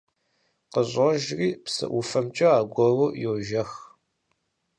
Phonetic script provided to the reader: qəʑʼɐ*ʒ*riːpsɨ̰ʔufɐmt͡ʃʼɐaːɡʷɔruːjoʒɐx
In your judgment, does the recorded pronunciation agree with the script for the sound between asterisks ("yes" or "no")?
yes